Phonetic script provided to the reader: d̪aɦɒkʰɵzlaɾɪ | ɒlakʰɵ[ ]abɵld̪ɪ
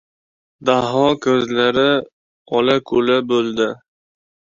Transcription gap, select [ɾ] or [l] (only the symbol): l